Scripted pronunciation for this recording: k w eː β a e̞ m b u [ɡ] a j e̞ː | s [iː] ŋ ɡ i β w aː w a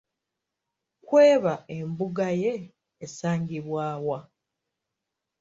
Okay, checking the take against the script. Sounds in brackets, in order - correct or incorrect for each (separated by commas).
correct, incorrect